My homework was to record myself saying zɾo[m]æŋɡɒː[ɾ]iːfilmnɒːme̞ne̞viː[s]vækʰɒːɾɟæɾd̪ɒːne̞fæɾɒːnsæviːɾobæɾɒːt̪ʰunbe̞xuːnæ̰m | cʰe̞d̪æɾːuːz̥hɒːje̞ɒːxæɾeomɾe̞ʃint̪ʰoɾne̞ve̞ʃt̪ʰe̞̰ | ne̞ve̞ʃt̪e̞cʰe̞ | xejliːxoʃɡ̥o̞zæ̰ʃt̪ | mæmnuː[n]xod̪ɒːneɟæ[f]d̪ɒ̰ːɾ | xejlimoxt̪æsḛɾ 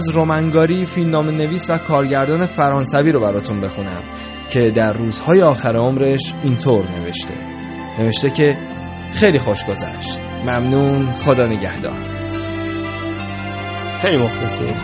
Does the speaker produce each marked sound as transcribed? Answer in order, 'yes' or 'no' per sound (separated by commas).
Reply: yes, yes, yes, yes, no